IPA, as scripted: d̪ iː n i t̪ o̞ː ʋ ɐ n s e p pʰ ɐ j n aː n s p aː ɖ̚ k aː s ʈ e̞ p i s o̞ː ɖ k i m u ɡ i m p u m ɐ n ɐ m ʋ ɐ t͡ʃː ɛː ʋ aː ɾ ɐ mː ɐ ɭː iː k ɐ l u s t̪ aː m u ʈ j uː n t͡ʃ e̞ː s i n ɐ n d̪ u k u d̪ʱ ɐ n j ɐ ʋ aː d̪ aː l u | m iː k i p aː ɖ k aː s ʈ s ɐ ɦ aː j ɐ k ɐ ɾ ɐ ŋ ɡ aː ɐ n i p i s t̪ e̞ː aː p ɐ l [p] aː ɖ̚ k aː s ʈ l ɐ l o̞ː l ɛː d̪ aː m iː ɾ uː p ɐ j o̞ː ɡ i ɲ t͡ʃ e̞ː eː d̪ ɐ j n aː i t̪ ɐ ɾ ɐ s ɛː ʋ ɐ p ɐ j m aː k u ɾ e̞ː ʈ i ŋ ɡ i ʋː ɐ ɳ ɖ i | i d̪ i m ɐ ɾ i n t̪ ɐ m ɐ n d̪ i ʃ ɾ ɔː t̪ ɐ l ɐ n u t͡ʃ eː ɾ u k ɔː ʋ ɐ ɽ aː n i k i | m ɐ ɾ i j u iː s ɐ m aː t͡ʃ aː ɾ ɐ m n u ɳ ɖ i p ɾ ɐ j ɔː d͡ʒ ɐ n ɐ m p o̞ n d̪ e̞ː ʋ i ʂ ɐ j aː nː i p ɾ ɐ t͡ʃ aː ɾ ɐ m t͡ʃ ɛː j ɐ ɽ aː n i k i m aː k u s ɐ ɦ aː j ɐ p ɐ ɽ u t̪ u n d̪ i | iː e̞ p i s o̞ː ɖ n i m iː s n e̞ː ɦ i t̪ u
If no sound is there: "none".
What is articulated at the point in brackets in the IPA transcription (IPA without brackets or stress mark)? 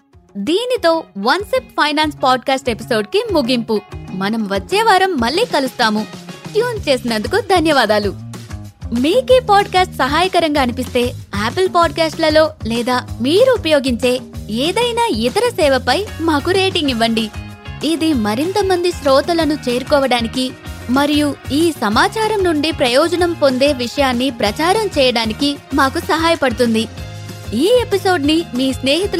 p